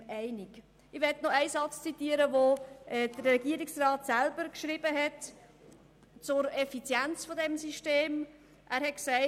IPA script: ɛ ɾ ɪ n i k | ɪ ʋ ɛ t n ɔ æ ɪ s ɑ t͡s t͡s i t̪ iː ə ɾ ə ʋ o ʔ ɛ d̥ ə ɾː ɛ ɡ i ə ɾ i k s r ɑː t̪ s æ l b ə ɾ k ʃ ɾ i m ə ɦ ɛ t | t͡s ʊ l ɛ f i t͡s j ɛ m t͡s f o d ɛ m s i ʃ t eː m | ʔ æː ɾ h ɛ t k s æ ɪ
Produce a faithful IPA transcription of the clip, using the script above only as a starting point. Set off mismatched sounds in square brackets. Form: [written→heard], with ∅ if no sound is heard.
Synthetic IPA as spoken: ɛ [ɾ→∅] ɪ n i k | ɪ ʋ ɛ t n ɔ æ ɪ s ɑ t͡s t͡s i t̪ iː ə ɾ ə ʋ o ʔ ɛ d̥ ə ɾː ɛ ɡ i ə ɾ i k s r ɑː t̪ s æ l b ə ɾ k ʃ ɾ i [m→b] ə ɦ ɛ t | t͡s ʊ [l→ɾ] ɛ f i t͡s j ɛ [m→n] t͡s f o d ɛ m s i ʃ t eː m | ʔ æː ɾ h ɛ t k s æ ɪ